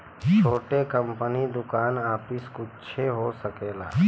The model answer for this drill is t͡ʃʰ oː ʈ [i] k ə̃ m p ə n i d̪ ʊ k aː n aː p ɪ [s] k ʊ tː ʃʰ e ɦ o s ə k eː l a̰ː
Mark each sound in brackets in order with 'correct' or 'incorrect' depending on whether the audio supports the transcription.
incorrect, correct

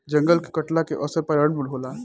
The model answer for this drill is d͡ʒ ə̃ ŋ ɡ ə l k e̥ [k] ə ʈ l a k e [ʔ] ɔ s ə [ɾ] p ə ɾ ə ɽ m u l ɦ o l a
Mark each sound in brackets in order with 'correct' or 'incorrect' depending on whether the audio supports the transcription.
correct, correct, correct

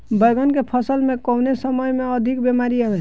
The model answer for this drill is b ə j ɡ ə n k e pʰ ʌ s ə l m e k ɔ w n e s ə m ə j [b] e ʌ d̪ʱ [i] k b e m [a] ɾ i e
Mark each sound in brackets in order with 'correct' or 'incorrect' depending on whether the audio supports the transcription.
incorrect, correct, correct

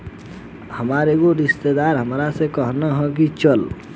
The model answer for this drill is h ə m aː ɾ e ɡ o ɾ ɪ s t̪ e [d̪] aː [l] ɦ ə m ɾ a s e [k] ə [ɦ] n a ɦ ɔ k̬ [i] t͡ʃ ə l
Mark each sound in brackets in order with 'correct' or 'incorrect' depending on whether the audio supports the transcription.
correct, incorrect, correct, correct, correct

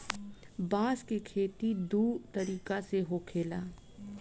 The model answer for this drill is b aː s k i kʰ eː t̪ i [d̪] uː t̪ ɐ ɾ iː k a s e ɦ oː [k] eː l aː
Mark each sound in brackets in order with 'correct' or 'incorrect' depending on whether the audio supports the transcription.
correct, incorrect

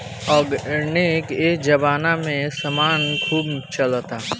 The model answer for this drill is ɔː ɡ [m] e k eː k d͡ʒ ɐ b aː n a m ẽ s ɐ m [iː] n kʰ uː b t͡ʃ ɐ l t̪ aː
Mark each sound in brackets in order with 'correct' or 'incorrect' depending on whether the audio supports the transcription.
incorrect, incorrect

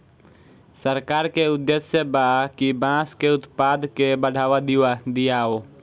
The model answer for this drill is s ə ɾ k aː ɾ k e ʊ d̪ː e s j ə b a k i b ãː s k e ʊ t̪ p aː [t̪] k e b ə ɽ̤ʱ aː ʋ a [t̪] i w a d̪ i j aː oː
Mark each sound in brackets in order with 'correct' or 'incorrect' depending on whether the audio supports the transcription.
incorrect, incorrect

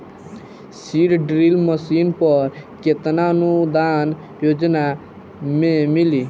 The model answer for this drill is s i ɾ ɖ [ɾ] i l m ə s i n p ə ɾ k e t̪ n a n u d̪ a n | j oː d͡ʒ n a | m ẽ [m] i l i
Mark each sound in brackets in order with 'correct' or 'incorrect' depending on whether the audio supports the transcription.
correct, correct

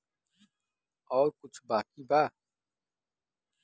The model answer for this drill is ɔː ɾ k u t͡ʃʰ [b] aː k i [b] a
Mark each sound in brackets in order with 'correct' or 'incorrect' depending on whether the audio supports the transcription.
correct, correct

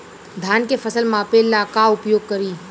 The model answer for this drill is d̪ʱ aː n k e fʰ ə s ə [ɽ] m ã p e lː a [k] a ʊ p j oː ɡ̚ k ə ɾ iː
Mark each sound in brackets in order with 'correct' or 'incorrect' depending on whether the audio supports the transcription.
incorrect, correct

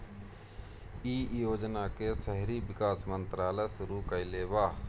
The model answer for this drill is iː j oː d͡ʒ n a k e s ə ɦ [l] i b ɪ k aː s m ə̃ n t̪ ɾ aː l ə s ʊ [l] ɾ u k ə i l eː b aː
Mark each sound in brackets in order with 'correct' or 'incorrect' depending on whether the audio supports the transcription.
incorrect, incorrect

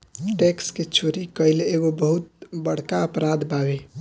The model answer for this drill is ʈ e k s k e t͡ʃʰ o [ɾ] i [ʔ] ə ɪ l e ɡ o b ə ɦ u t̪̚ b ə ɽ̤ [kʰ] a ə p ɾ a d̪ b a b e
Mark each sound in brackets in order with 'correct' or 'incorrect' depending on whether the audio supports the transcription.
correct, incorrect, incorrect

